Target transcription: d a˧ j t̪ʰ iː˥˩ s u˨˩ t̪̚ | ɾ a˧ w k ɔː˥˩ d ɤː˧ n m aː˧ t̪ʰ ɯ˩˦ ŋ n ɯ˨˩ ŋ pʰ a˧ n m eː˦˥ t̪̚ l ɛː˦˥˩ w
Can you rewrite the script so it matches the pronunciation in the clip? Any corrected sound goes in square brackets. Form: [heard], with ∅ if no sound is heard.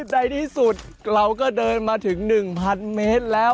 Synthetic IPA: d a˧ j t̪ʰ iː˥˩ s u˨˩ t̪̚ | ɾ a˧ w k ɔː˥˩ d ɤː˧ n m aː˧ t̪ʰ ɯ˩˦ ŋ n ɯ˨˩ ŋ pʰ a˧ n m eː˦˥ t̪̚ l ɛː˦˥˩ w